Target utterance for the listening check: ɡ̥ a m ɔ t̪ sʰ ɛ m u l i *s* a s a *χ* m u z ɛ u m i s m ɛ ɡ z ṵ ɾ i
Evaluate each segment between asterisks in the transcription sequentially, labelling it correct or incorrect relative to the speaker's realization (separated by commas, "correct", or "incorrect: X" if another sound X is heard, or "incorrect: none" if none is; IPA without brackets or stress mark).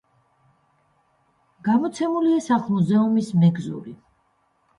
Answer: incorrect: none, correct